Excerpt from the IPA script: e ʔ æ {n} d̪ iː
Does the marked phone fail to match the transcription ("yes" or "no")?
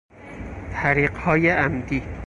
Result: yes